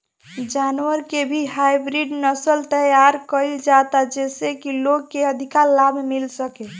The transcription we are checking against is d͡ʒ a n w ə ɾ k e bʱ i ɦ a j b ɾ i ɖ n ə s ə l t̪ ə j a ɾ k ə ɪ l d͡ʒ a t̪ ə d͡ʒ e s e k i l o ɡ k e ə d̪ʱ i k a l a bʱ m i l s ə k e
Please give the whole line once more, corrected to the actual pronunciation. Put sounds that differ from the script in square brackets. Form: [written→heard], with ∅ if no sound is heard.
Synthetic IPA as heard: d͡ʒ a n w ə ɾ k e bʱ i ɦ a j b ɾ i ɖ n ə s ə l t̪ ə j a ɾ k ə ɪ l d͡ʒ a t̪ [ə→a] d͡ʒ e s e k i l o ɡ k e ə d̪ʱ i k a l a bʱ m i l s ə k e